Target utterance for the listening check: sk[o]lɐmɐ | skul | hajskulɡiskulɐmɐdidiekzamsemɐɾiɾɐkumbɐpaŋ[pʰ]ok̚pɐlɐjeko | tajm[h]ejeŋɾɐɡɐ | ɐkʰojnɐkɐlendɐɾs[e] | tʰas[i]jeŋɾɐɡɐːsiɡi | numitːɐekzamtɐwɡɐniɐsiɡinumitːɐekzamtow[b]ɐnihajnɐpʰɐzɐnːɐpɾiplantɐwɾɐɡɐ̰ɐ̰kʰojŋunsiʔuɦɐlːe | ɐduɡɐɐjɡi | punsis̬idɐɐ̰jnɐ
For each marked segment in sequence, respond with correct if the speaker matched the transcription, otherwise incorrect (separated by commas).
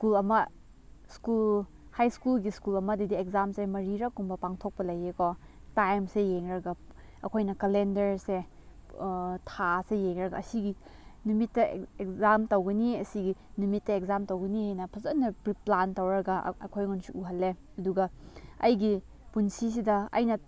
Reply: incorrect, incorrect, incorrect, correct, incorrect, incorrect